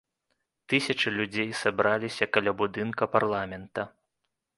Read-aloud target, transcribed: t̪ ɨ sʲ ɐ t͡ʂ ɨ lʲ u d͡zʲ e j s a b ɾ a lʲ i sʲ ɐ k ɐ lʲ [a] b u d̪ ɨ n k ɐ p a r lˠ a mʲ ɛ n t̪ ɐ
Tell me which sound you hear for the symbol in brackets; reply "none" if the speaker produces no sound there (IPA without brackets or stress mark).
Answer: a